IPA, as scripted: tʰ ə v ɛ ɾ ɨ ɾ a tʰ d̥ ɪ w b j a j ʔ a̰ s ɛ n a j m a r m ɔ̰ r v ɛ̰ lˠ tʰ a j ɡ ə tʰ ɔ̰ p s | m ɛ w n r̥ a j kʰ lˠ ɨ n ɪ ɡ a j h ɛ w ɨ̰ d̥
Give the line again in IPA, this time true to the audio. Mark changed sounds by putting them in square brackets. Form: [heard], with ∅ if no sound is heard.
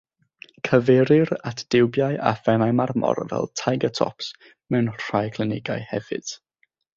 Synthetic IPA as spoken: [kʰ] ə v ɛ ɾ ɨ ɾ a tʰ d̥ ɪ w b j a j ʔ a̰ [f] ɛ n a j m a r m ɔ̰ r v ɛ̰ lˠ tʰ a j ɡ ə tʰ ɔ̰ p s | m ɛ w n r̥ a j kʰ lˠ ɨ n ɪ ɡ a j h ɛ [v] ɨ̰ d̥

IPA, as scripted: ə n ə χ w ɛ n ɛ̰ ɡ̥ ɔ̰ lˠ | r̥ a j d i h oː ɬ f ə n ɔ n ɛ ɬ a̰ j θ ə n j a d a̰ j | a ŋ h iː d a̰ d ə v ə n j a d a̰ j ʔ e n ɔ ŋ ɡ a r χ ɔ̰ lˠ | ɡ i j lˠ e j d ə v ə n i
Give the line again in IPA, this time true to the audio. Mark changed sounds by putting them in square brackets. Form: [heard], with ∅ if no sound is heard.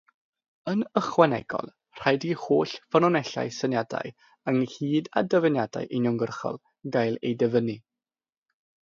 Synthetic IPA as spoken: ə n ə χ w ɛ n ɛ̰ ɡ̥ ɔ̰ lˠ | r̥ a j d i h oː ɬ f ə n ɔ n ɛ ɬ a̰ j [s] ə n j a d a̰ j | [ə] ŋ h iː d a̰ d ə v ə n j a d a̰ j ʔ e n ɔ ŋ ɡ [ə] r χ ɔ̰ lˠ | ɡ [a] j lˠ e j d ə v ə n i

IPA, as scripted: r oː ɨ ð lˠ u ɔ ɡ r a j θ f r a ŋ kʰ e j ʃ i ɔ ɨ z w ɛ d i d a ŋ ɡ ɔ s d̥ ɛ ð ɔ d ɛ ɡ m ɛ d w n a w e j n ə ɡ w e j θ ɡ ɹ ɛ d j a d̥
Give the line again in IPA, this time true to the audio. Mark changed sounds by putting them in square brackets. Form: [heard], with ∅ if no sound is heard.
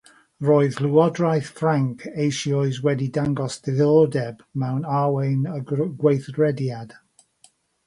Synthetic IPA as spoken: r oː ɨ ð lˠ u ɔ [d] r a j θ f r a ŋ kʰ e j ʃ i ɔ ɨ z w ɛ d i d a ŋ ɡ ɔ s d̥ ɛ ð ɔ d ɛ [b] m ɛ [∅] w n a w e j n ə ɡ w e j θ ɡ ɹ ɛ d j a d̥

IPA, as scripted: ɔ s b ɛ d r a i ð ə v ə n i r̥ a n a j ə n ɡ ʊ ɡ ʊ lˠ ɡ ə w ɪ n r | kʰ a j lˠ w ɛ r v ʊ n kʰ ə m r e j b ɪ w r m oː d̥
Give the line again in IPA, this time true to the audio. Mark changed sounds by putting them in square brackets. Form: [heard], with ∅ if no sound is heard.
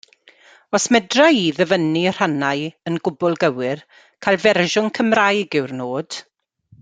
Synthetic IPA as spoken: ɔ s [m] ɛ d r a i ð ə v ə n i r̥ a n a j ə n ɡ ʊ [b] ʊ lˠ ɡ ə w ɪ [∅] r | kʰ a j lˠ [v] ɛ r [ʒ] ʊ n kʰ ə m r [a] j [ɡ] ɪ w r [n] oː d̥

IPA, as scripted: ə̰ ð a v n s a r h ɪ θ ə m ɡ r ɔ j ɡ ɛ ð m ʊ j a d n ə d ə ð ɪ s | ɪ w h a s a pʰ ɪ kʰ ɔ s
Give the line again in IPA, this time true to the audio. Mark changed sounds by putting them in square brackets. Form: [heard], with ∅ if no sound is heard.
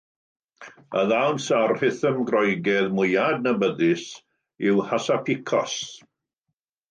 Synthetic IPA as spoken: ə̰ ð a [w] n s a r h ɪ θ ə m ɡ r ɔ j ɡ ɛ ð m ʊ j a d n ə [b] ə ð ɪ s | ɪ w h a s a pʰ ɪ kʰ ɔ s

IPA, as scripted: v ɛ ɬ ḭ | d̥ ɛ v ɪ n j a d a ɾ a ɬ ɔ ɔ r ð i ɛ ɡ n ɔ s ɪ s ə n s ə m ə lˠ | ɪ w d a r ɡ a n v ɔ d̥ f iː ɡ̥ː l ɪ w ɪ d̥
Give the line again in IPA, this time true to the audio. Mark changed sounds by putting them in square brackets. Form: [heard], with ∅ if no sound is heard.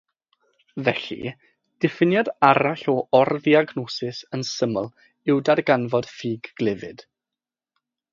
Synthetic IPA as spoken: v ɛ ɬ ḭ | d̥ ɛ [f] ɪ n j a d a ɾ a ɬ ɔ ɔ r ð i [a] ɡ n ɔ s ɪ s ə n s ə m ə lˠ | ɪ w d a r ɡ a n v ɔ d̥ f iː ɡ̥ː l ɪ [v] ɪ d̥

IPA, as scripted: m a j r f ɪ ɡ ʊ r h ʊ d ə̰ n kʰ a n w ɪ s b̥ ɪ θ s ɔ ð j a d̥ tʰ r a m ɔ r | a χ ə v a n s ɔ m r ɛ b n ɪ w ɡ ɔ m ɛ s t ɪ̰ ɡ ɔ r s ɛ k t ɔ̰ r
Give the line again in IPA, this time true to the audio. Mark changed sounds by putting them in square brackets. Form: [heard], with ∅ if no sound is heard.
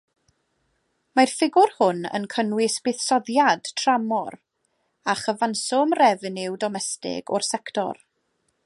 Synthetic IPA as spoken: m a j r f ɪ ɡ ʊ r h ʊ [n] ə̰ n kʰ [ə] n w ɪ s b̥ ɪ θ s ɔ ð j a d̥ tʰ r a m ɔ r | a χ ə v a n s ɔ m r ɛ [v] n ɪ w [d] ɔ m ɛ s t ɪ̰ ɡ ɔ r s ɛ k t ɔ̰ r

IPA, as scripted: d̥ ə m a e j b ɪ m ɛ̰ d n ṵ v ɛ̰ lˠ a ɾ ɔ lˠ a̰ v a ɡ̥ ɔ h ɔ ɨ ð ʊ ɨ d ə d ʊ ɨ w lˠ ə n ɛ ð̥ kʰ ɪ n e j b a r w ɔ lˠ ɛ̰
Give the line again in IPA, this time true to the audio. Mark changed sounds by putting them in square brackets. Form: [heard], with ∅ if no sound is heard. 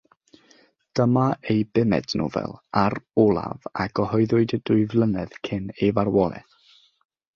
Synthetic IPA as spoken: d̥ ə m a e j b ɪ m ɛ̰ d n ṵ v ɛ̰ lˠ a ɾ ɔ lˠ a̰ v a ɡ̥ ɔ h ɔ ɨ ð ʊ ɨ d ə d ʊ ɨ [v] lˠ ə n ɛ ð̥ kʰ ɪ n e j [v] a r w ɔ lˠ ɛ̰

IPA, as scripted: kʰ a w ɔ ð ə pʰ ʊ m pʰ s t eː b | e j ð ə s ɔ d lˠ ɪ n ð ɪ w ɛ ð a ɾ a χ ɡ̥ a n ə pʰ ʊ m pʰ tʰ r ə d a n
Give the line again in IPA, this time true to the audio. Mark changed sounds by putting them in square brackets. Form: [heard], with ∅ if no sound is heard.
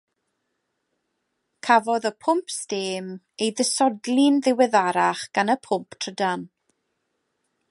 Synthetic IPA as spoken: kʰ a [v] ɔ ð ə pʰ ʊ m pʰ s t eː [m] | e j ð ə s ɔ d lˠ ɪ n ð ɪ w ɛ ð a ɾ a χ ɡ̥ a n ə pʰ ʊ m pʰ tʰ r ə d a n

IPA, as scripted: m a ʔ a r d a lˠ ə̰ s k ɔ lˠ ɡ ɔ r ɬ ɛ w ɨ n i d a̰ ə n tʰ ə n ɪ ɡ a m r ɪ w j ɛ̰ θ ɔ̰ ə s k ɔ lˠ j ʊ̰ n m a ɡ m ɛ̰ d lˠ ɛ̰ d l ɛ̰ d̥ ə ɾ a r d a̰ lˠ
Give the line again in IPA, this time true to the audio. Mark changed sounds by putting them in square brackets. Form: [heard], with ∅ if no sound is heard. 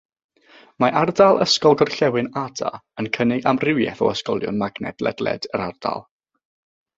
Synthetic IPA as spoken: m a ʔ a r d a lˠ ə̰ s k ɔ lˠ ɡ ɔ r ɬ ɛ w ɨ n [a] d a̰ ə n [kʰ] ə n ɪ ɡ a m r ɪ w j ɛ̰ θ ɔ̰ ə s k ɔ lˠ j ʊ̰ n m a ɡ [n] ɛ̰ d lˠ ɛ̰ d l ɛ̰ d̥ ə ɾ a r d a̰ lˠ

